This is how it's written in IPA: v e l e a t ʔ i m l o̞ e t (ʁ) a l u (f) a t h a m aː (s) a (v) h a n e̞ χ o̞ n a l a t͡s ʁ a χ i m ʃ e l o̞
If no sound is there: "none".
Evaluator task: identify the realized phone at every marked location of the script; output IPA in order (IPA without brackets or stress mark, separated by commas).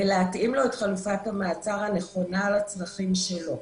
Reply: χ, f, t͡s, ʁ